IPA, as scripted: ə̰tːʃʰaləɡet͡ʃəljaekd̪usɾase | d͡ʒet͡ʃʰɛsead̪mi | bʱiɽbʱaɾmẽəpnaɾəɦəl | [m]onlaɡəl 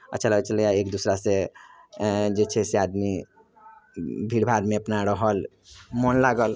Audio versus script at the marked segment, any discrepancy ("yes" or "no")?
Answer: no